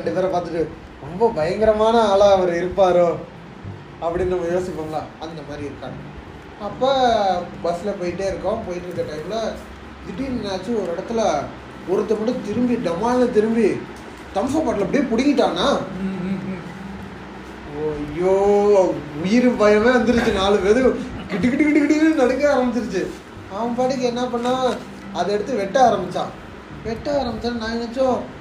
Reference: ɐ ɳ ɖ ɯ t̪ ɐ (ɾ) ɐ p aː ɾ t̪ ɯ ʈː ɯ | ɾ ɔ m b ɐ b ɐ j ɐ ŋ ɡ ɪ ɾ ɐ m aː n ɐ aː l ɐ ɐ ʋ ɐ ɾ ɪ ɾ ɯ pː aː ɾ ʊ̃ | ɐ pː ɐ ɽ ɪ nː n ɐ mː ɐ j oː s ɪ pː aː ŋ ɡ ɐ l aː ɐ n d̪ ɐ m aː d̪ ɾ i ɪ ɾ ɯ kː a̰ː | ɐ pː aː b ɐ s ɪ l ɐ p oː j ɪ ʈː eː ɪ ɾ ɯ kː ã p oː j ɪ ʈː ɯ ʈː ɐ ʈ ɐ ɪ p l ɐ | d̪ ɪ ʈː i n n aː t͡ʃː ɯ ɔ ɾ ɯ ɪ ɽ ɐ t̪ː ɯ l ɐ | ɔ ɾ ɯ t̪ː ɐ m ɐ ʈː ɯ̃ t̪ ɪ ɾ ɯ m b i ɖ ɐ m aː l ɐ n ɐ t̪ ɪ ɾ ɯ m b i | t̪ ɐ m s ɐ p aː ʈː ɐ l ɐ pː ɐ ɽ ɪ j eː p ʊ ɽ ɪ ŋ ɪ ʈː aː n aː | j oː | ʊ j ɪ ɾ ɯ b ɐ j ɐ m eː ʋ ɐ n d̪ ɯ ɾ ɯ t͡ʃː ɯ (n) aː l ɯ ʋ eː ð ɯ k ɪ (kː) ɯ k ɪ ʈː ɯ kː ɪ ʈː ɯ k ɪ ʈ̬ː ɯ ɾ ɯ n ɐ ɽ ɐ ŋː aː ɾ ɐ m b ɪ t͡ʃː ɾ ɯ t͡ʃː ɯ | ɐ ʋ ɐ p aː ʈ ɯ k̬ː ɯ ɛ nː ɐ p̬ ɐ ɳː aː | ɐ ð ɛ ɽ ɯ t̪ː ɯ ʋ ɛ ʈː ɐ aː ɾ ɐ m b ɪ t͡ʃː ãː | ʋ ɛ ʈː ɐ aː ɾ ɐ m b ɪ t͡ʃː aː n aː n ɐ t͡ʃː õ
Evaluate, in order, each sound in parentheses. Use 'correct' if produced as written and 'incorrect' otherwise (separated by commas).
correct, correct, incorrect